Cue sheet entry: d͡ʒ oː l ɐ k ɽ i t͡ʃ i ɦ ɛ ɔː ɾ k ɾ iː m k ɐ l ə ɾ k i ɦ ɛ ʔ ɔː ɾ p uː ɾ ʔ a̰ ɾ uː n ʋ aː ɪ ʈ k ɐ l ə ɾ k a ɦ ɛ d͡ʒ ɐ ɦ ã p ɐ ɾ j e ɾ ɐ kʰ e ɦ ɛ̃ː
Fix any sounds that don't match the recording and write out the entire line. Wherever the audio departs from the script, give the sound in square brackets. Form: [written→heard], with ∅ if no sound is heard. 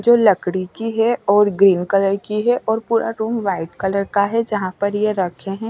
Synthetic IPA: d͡ʒ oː l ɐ k ɽ i t͡ʃ i ɦ ɛ ɔː ɾ [k→ɡ] ɾ iː [m→n] k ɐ l ə ɾ k i ɦ ɛ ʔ ɔː ɾ p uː ɾ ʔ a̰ ɾ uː [n→m] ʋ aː ɪ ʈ k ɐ l ə ɾ k a ɦ ɛ d͡ʒ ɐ ɦ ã p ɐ ɾ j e ɾ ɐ kʰ e ɦ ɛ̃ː